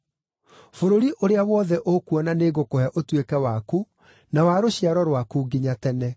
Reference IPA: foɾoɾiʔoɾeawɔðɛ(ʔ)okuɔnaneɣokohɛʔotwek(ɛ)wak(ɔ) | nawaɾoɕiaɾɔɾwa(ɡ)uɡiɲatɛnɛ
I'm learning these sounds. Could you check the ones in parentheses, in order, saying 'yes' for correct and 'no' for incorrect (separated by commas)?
yes, yes, no, no